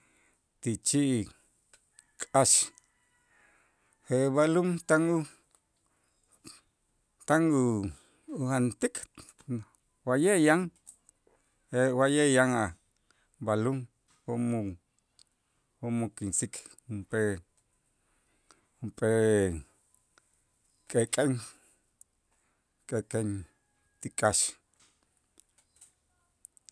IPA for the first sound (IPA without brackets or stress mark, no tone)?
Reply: t̪